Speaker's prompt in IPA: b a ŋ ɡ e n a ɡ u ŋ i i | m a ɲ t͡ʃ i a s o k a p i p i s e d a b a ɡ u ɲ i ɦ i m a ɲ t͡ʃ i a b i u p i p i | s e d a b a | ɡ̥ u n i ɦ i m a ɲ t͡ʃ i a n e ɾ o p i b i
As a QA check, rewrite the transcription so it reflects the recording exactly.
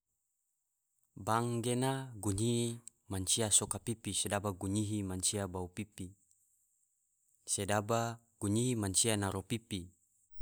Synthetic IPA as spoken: b a ŋ ɡ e n a ɡ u ɲ i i | m a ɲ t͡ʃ i a s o k a p i p i s e d a b a ɡ u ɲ i ɦ i m a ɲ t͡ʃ i a b a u p i p i | s e d a b a | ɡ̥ u ɲ i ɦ i m a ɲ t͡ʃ i a n a ɾ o p i p i